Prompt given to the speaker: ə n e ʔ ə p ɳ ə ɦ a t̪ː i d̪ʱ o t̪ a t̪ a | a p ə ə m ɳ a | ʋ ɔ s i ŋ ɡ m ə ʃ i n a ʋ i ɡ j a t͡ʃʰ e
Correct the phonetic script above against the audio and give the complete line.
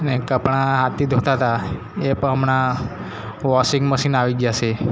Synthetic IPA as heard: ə n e k ə p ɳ a ɦ a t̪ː i d̪ʱ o t̪ a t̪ a | e p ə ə m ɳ a | ʋ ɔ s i ŋ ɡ m ə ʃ i n a ʋ i ɡ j a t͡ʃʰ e

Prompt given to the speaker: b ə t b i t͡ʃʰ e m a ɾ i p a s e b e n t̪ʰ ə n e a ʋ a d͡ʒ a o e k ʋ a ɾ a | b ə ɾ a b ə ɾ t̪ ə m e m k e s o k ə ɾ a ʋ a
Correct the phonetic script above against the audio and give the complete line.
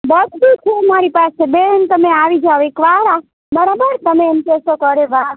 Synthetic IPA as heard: b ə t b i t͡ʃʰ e m a ɾ i p a s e b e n t̪ ə m e a ʋ i d͡ʒ a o e k ʋ a ɾ a | b ə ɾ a b ə ɾ t̪ ə m e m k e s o k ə ɾ e ʋ a

